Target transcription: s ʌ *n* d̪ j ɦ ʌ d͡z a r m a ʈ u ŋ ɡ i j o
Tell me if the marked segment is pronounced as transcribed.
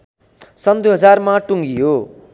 yes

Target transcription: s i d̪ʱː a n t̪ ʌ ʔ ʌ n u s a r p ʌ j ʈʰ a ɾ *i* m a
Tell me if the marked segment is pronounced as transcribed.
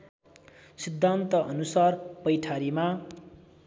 yes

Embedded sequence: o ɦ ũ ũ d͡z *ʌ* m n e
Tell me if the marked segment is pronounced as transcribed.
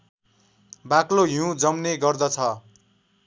yes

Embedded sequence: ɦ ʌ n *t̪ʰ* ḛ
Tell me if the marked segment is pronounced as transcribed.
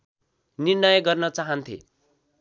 yes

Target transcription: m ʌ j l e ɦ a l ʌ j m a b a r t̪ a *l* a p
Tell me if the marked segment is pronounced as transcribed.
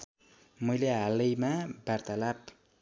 yes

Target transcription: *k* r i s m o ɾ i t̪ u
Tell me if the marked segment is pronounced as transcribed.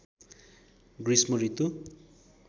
no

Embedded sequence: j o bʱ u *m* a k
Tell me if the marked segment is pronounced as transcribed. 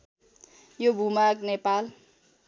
yes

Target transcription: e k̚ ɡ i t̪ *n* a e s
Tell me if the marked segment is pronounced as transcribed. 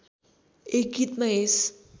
no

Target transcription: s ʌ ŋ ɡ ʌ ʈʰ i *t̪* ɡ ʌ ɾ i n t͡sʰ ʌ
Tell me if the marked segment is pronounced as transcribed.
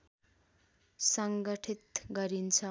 yes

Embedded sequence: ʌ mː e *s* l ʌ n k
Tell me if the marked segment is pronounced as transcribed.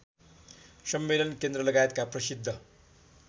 no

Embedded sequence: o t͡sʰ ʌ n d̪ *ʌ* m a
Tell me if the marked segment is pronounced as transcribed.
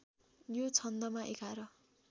yes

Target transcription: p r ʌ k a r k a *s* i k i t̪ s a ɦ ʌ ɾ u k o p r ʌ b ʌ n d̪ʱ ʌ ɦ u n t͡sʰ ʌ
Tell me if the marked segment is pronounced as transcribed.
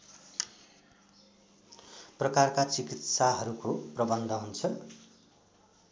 no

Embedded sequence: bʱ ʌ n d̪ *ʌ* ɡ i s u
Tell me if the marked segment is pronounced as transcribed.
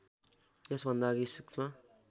no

